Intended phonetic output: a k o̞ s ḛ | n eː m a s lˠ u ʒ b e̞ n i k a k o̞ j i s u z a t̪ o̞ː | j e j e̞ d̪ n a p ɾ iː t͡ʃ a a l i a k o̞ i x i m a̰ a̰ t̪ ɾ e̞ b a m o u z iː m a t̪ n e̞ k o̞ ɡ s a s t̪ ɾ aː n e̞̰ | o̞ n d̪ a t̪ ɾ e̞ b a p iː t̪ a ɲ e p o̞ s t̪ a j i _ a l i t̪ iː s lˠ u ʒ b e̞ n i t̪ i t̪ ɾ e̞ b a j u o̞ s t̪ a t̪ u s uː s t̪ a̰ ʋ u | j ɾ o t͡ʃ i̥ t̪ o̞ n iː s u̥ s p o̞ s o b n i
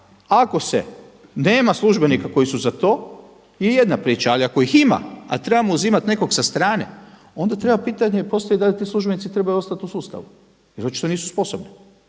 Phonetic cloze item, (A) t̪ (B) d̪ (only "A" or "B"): B